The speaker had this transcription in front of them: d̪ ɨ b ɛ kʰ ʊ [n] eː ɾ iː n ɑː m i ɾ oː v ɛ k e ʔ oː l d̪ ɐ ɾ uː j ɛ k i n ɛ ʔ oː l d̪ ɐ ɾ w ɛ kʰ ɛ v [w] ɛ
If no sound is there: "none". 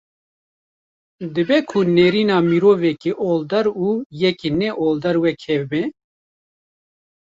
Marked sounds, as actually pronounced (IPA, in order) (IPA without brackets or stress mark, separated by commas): n, b